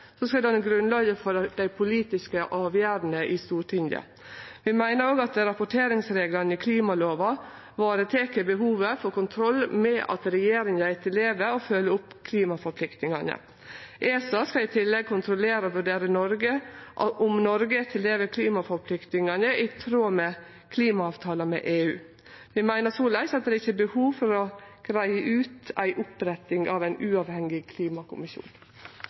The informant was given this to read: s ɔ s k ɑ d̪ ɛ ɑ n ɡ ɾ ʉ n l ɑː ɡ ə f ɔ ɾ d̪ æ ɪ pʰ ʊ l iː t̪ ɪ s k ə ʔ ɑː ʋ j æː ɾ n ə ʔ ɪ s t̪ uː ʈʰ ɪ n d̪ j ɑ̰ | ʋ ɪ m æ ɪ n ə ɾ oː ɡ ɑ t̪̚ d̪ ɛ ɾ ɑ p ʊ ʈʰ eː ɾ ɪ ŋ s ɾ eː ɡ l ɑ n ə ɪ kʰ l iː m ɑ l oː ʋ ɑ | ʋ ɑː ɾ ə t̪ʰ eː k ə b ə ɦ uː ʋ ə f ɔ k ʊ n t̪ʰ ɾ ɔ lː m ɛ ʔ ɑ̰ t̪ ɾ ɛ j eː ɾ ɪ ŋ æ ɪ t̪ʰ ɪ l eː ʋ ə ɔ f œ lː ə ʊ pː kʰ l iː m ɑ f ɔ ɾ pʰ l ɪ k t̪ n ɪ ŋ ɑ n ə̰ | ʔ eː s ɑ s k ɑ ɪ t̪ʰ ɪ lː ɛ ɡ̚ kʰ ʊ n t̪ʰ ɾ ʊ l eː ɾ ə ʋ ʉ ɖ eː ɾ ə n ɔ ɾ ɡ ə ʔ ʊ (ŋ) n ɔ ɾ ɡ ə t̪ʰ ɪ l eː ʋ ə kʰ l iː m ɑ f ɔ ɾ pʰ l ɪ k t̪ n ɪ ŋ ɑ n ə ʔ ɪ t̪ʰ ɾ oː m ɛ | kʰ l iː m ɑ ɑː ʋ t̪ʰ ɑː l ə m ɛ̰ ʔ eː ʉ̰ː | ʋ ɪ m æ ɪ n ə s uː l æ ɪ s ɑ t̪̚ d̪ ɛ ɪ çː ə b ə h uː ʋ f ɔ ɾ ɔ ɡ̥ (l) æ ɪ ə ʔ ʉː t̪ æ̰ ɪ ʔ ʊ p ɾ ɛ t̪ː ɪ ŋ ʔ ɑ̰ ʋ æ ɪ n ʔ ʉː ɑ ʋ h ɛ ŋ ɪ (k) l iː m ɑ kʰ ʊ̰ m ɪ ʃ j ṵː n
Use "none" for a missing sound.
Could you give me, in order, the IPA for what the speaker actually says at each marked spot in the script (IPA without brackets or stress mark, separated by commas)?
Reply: m, ɾ, kʰ